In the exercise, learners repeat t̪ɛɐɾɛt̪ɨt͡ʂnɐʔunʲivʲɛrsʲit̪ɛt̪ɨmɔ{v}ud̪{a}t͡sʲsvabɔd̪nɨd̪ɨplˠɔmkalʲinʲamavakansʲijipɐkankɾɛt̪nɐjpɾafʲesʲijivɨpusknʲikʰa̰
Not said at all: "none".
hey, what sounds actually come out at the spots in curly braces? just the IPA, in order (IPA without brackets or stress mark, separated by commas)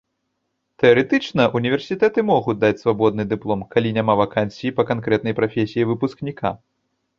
ɣ, a